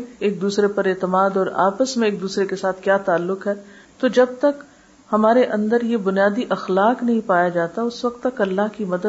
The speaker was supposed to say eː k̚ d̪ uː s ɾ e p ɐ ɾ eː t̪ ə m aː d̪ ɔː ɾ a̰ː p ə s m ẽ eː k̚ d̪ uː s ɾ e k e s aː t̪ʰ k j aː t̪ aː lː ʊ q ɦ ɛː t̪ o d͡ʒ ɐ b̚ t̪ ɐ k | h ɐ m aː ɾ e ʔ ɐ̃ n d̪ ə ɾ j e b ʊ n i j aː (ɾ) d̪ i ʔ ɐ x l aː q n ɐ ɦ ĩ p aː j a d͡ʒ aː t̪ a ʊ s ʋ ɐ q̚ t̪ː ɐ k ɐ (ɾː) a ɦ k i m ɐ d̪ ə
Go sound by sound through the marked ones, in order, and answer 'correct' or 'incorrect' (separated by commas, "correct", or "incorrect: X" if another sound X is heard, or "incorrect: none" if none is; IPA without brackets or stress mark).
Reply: incorrect: none, incorrect: lː